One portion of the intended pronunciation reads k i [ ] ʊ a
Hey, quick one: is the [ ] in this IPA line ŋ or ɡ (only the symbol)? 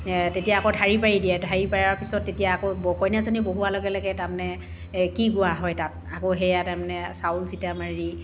ɡ